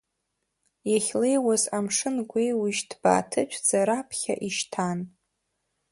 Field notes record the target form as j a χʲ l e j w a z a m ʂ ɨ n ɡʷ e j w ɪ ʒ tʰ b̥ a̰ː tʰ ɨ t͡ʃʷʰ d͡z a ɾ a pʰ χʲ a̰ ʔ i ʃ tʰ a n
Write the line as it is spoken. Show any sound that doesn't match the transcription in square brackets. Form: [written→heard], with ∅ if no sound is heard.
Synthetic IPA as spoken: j a χʲ l e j w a z a m ʂ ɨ n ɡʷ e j w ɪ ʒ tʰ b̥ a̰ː tʰ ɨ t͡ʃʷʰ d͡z a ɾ a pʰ χʲ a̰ ʔ i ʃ tʰ a n